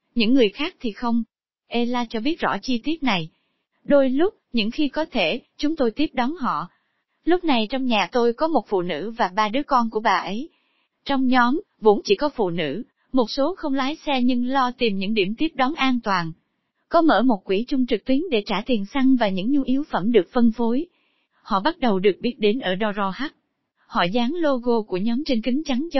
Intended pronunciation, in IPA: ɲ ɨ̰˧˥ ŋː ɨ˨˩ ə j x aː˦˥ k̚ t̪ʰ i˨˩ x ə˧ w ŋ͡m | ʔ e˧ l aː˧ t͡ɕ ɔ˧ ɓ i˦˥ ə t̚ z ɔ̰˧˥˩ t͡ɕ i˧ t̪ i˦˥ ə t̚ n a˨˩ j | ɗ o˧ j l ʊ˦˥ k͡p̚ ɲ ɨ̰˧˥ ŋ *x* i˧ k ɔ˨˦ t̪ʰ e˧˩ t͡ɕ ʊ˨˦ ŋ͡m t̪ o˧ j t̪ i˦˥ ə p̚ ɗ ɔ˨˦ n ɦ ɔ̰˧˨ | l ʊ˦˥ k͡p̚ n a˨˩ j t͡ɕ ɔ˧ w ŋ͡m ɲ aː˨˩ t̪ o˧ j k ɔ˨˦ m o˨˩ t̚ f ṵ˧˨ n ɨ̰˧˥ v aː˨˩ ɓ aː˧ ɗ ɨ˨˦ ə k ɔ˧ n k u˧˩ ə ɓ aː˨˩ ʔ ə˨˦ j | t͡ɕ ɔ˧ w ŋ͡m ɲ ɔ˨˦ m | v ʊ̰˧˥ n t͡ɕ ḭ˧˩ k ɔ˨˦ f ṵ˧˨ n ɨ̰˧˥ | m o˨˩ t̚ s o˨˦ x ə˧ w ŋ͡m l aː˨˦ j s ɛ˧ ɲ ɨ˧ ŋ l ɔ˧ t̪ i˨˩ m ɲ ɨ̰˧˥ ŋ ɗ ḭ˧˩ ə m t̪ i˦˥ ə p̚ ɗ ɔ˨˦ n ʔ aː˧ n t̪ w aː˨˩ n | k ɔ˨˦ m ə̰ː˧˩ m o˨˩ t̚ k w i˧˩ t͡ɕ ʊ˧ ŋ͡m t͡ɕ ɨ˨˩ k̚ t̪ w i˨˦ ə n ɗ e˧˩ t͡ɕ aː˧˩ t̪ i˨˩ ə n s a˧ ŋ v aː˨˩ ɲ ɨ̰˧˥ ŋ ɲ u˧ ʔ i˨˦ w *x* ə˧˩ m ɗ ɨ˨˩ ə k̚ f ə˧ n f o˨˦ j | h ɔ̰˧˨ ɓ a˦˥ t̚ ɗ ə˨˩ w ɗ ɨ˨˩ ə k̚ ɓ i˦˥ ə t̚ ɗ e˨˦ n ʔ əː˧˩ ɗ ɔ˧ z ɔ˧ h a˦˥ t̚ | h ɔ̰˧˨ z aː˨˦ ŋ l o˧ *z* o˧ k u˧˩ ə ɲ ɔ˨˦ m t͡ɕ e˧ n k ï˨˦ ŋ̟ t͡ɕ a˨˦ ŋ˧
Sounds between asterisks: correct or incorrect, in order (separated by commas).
correct, incorrect, incorrect